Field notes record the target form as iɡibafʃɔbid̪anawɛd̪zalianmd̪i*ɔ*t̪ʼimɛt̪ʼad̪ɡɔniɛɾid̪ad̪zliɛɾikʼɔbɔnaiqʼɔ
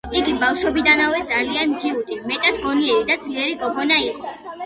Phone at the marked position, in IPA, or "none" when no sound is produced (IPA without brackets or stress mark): u